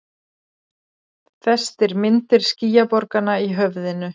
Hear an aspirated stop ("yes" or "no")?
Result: no